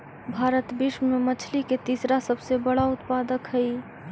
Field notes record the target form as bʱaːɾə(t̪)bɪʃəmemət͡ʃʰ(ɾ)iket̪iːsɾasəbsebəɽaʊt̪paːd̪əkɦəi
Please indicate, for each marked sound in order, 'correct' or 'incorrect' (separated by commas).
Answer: correct, incorrect